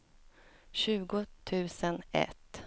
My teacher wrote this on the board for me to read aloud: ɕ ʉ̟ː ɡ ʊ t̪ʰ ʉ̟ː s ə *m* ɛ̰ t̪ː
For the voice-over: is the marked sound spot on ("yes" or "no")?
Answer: no